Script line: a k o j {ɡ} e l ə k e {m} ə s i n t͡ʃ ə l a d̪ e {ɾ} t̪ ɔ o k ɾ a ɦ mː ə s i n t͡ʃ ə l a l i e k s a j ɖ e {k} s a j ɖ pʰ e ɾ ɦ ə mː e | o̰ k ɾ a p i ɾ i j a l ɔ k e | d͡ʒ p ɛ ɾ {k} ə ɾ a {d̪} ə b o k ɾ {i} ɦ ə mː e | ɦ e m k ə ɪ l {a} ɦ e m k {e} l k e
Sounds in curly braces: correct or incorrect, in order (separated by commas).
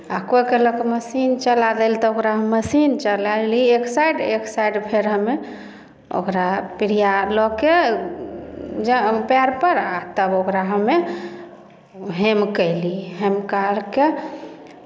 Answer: incorrect, correct, incorrect, correct, incorrect, incorrect, incorrect, incorrect, incorrect